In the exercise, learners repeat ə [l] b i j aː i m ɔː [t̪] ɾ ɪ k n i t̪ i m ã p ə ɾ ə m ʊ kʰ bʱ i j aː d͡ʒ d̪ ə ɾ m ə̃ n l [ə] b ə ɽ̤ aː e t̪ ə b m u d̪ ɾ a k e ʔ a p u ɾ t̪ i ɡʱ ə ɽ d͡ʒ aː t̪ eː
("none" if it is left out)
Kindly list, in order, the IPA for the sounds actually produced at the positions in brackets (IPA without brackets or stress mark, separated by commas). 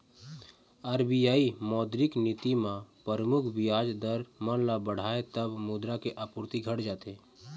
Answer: ɾ, d̪, a